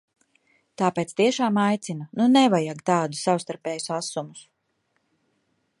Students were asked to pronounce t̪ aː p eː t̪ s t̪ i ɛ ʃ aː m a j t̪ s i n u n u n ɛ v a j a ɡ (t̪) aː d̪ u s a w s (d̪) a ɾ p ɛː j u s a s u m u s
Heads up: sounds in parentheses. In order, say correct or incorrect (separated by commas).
correct, incorrect